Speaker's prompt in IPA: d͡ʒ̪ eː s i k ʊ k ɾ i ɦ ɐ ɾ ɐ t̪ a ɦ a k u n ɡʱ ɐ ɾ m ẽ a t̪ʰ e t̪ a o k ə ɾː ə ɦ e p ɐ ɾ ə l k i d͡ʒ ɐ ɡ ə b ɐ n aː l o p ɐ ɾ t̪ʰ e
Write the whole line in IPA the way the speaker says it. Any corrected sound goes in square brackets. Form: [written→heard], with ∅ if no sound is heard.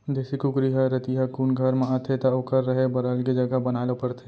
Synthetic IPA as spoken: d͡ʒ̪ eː s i k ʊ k ɾ i ɦ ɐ ɾ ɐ t̪ [a→i] ɦ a k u n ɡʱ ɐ ɾ m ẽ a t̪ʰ e t̪ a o k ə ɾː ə ɦ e [p→b] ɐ ɾ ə l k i d͡ʒ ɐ ɡ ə b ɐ n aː l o p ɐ ɾ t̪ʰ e